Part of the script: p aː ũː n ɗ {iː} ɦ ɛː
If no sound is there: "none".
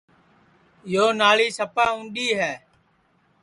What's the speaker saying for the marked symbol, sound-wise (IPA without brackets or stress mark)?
iː